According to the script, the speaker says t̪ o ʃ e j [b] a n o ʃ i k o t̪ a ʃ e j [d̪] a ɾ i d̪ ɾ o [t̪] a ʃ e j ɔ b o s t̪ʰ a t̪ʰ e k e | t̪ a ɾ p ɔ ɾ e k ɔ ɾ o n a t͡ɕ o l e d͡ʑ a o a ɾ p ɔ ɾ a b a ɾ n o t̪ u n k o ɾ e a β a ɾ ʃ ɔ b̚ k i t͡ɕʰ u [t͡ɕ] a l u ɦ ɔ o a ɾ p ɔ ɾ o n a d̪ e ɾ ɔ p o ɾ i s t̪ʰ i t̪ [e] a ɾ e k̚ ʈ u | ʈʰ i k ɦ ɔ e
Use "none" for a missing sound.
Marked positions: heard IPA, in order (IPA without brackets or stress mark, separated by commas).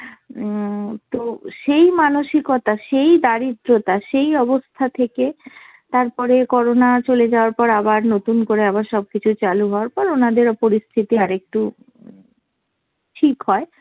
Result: m, d̪, t̪, t͡ɕ, i